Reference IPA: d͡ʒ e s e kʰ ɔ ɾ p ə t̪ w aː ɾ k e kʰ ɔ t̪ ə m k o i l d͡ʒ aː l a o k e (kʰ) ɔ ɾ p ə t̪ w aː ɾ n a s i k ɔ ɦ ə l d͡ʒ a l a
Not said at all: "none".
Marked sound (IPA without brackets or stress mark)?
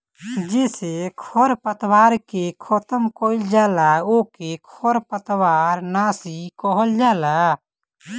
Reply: kʰ